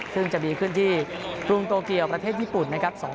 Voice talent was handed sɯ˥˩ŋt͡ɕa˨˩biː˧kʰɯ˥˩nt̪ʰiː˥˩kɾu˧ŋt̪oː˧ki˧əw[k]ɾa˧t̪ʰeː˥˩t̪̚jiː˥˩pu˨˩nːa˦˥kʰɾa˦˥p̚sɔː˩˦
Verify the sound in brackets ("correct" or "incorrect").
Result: incorrect